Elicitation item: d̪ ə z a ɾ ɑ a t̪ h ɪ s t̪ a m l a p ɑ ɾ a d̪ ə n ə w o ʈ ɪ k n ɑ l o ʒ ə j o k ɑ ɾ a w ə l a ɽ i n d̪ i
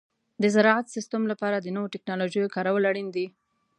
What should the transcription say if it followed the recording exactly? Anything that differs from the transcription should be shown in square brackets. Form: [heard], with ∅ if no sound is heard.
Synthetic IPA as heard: d̪ ə z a ɾ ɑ a t̪ [s] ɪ s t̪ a m l a p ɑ ɾ a d̪ ə n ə w o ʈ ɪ k n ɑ l o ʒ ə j o k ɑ ɾ a w ə l a ɽ i n d̪ i